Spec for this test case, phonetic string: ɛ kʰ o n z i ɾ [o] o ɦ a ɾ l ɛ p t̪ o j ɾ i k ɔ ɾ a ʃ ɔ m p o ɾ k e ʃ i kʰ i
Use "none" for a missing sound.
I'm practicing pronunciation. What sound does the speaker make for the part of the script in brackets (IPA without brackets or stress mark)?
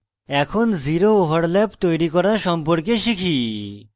o